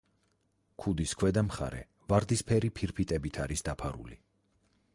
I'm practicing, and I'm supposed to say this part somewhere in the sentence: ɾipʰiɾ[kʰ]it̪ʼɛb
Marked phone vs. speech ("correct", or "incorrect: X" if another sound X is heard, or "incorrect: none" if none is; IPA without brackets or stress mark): incorrect: pʰ